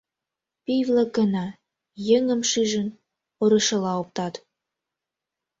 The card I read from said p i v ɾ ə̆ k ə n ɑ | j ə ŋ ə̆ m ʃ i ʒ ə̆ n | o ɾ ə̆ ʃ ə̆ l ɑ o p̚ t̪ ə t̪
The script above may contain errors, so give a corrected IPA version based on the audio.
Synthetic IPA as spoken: p i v l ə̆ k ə n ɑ | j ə ŋ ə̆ m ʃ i ʒ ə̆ n | o ɾ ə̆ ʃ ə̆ l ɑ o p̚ t̪ ɑ t̪